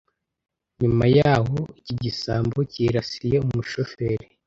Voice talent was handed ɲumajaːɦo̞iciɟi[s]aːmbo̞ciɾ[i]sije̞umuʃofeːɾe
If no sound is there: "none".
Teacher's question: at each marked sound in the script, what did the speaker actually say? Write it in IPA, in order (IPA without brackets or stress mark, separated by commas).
s, a